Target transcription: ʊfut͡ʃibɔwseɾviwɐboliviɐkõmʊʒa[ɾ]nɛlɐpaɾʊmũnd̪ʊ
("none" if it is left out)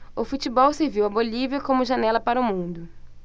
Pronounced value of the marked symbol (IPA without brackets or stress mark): none